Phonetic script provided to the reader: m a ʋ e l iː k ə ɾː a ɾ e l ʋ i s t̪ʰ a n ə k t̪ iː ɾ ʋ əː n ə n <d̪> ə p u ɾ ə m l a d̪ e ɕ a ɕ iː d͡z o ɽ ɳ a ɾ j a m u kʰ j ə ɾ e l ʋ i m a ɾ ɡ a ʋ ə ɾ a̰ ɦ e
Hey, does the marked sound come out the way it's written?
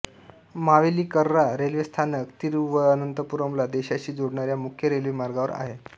no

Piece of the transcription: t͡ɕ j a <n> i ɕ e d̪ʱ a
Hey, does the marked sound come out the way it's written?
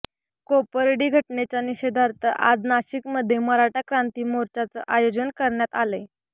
yes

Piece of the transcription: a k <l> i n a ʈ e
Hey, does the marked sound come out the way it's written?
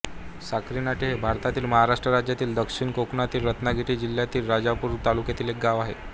no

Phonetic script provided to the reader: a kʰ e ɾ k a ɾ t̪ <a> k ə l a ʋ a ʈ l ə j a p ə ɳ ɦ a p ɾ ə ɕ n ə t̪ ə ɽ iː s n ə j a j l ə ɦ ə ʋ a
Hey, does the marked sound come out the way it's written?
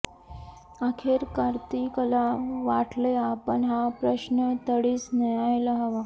no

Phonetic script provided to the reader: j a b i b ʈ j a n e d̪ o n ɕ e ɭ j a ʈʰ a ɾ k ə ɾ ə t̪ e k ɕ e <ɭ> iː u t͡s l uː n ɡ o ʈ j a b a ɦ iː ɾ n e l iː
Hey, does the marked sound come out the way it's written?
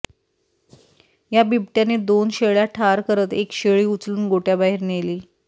yes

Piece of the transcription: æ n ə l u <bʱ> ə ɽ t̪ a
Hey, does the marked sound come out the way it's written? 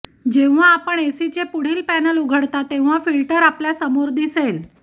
no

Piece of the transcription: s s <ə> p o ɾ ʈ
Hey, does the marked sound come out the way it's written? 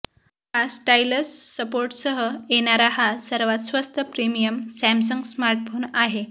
yes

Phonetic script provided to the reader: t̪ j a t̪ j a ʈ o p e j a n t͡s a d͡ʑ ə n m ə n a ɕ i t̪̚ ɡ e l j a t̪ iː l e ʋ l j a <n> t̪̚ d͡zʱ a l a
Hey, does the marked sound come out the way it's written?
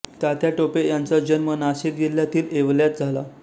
no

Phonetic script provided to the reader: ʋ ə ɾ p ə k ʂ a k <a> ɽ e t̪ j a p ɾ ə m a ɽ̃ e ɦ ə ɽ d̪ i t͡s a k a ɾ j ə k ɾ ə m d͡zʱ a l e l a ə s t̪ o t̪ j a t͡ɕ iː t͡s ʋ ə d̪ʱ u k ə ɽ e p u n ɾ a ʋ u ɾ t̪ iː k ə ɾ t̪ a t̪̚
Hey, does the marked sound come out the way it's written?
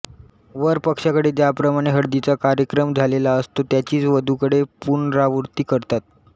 no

